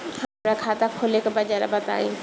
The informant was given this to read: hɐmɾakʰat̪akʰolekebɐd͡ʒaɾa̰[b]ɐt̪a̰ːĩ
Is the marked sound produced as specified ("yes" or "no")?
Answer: yes